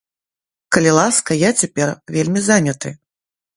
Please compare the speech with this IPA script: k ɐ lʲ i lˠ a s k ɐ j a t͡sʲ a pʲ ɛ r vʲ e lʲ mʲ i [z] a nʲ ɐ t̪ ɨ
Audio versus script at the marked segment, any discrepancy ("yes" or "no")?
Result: no